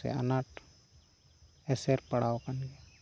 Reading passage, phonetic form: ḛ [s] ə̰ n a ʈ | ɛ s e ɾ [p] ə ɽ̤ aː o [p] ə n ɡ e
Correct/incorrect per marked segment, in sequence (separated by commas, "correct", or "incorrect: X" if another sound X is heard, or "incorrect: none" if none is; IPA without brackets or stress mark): incorrect: none, correct, incorrect: k